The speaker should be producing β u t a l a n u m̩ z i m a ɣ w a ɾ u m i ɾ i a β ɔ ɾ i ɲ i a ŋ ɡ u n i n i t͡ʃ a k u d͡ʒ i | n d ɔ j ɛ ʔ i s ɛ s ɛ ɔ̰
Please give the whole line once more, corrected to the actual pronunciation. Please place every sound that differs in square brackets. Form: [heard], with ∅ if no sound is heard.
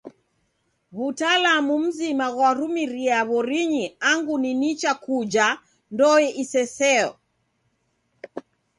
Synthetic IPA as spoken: β u t a l a [m] u m̩ z i m a ɣ w a ɾ u m i ɾ i a β ɔ ɾ i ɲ i a ŋ ɡ u n i n i t͡ʃ a k u d͡ʒ [a] | n d ɔ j ɛ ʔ i s ɛ s ɛ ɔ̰